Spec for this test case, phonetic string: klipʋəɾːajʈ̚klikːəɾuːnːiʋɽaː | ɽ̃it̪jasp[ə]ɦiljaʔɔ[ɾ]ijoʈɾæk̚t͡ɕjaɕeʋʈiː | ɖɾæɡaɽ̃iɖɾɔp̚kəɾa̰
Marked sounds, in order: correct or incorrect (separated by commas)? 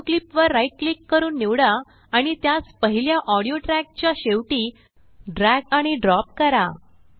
correct, incorrect